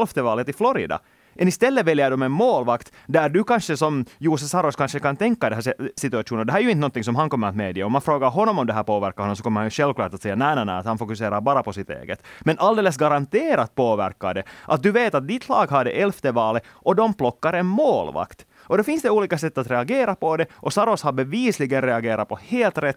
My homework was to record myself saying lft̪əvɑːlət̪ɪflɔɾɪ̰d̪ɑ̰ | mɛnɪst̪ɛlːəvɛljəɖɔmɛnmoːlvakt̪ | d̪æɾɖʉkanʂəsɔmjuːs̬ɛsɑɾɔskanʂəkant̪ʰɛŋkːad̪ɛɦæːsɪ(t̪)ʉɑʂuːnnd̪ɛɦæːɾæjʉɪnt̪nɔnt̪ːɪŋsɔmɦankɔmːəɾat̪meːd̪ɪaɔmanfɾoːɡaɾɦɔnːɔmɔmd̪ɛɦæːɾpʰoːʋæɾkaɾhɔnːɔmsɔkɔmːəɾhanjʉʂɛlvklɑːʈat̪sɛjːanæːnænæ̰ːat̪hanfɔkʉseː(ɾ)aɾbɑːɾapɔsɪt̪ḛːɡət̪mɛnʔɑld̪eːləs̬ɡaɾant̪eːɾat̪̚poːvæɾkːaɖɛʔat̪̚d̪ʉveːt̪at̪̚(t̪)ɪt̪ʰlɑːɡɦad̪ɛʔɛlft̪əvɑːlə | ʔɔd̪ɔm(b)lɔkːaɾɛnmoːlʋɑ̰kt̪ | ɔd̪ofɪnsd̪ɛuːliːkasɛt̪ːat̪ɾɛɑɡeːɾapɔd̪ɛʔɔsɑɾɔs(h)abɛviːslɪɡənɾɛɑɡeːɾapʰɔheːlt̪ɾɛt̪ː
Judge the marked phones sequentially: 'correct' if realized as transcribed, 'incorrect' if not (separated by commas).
correct, correct, incorrect, incorrect, correct